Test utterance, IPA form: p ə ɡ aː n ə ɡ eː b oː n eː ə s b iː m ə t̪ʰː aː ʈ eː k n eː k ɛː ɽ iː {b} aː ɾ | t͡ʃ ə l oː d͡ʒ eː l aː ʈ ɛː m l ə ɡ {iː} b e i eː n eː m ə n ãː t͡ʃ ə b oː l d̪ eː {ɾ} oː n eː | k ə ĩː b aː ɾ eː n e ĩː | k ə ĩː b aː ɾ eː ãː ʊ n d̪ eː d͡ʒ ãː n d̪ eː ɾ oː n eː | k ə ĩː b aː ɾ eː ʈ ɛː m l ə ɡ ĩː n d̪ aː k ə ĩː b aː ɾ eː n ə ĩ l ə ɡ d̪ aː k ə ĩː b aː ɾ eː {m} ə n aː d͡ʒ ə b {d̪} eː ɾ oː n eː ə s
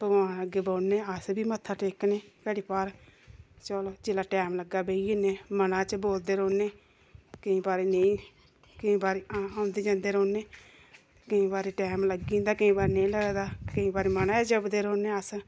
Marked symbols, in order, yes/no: no, no, yes, yes, yes

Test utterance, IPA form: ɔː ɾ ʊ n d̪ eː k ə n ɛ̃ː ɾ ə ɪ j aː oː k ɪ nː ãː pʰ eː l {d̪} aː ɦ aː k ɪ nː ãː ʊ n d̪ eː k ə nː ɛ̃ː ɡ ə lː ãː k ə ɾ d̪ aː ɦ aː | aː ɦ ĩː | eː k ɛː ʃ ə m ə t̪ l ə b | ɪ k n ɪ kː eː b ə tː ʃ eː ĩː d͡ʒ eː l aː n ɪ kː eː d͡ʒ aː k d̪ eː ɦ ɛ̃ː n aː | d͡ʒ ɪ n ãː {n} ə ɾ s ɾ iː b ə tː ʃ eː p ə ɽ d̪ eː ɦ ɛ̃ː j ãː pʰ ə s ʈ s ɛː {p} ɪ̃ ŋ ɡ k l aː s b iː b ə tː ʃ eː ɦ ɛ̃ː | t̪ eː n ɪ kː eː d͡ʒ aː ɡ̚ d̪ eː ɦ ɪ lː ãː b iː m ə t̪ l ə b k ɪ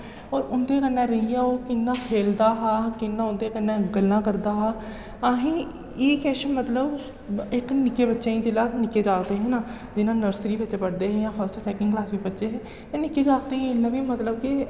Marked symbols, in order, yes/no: yes, yes, no

